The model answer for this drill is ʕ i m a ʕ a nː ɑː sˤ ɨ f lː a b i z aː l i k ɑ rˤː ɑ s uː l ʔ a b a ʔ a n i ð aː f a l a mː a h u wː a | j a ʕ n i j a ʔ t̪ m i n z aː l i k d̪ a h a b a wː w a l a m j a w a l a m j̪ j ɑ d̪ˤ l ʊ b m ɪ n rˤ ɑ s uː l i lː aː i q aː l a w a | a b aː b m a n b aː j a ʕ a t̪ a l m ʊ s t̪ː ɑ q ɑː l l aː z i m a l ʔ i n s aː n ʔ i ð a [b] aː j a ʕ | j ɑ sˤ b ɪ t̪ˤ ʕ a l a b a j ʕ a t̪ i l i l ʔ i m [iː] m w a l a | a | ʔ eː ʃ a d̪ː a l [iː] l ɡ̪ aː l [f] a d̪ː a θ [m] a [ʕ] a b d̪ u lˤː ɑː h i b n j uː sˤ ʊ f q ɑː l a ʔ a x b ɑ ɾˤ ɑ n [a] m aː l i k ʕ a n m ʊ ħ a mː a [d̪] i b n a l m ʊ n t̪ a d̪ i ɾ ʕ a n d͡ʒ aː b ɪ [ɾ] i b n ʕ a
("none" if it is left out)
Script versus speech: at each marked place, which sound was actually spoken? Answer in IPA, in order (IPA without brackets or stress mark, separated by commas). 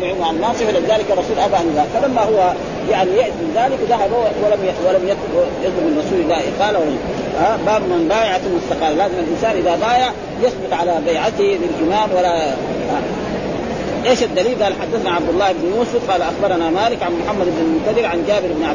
b, aː, iː, ħ, n, ʕ, a, d̪, ɾ